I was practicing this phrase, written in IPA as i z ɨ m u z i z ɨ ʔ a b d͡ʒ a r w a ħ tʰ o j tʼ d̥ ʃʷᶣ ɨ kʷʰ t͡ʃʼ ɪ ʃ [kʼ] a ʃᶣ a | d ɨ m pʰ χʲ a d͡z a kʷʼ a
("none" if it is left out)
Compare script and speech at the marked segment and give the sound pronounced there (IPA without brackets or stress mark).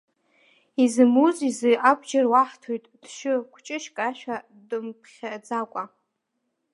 kʼ